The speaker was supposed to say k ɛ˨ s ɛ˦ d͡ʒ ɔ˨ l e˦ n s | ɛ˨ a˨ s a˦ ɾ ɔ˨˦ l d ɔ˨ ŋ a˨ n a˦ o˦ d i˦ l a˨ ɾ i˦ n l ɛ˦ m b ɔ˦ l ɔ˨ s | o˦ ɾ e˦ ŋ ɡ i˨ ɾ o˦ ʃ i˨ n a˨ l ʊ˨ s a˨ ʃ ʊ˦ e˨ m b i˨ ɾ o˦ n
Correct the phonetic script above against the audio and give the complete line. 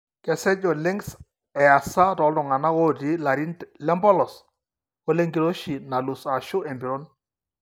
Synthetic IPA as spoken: k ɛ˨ s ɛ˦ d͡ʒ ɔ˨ l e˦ ŋ s | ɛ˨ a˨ s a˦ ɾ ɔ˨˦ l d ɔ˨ ŋ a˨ n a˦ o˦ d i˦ l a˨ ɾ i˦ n l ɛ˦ m b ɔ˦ l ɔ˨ s | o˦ l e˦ ŋ ɡ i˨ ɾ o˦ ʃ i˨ n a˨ l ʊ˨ s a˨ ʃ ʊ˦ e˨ m b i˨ ɾ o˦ n